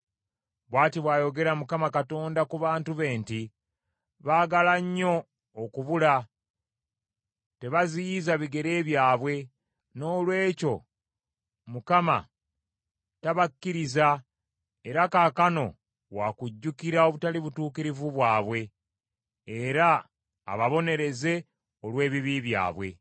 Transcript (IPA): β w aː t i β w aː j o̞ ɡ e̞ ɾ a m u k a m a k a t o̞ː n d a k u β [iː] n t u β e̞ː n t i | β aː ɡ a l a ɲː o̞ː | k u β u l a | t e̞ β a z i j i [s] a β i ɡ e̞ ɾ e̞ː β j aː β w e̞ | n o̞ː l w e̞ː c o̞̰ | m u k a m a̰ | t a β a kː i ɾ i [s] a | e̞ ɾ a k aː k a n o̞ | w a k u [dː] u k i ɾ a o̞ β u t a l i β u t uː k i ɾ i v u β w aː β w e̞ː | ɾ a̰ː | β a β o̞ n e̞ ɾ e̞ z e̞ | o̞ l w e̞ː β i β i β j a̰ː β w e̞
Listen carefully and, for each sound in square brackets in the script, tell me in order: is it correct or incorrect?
incorrect, incorrect, incorrect, incorrect

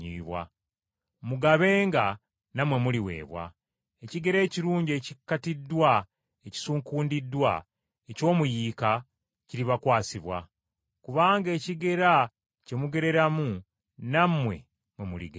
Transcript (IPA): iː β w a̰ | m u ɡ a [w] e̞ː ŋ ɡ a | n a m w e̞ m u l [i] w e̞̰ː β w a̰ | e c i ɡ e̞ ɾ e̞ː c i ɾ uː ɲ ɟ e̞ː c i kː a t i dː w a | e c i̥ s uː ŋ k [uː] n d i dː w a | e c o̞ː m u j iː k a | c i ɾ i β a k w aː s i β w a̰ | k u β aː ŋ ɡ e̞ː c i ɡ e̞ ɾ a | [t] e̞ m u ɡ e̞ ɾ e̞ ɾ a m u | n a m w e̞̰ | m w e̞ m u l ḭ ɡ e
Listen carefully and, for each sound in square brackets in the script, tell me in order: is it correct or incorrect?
incorrect, correct, correct, incorrect

